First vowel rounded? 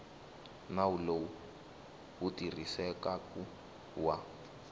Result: no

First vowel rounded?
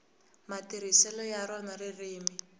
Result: no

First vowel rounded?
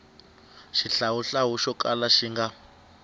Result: no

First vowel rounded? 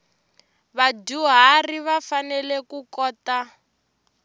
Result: no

